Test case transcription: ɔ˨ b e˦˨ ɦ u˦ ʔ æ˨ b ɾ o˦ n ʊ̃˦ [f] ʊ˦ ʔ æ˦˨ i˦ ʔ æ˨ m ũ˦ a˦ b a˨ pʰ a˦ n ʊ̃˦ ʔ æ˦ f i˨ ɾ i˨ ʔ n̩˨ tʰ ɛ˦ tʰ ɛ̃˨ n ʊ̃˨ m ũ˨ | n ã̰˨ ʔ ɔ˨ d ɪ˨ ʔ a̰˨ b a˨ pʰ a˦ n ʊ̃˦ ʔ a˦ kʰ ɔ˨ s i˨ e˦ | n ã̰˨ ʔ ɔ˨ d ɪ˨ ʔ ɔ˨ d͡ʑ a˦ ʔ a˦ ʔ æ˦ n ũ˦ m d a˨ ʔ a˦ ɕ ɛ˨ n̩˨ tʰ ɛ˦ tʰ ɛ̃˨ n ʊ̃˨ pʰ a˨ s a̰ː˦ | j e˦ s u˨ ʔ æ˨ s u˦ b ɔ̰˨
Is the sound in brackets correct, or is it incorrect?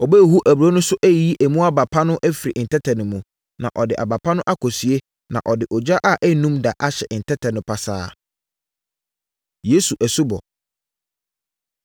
incorrect